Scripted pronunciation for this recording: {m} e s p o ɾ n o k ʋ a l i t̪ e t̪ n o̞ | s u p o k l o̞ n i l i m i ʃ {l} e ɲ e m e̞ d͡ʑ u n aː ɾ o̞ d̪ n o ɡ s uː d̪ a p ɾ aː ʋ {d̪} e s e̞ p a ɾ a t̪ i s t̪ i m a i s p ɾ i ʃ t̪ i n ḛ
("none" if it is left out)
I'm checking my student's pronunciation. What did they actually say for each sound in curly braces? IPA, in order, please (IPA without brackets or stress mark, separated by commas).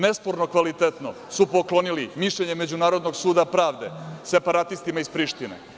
n, ʎ, d̪